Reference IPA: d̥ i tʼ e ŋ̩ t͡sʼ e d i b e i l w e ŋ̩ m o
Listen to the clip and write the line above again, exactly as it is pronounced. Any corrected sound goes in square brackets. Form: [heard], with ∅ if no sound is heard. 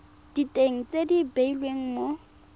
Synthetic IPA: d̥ i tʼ e ŋ̩ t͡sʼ e d i b e i l w e ŋ̩ m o